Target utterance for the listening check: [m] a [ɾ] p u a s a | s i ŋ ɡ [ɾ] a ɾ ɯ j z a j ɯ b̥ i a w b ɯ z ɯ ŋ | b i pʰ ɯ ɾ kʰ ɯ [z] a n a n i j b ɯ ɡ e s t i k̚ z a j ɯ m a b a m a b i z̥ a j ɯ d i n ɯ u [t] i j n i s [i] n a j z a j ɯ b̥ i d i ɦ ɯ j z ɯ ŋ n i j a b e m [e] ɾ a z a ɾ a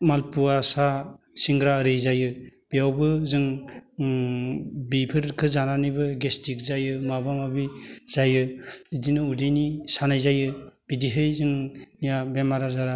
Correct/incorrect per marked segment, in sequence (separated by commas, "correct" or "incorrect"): correct, incorrect, correct, correct, incorrect, incorrect, incorrect